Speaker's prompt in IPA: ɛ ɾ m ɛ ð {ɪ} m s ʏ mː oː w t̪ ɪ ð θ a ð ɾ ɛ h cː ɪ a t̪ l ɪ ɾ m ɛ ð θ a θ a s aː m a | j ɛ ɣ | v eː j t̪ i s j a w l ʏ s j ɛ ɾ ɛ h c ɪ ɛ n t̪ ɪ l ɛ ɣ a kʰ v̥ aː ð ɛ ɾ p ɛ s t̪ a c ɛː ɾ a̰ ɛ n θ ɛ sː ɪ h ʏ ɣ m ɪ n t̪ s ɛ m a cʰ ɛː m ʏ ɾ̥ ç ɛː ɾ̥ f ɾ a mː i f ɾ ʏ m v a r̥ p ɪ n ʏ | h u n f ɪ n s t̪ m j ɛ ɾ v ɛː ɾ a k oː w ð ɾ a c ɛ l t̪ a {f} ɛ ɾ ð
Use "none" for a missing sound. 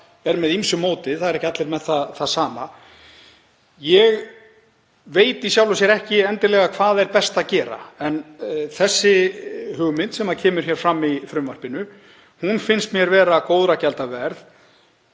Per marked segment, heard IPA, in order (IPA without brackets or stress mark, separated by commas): i, v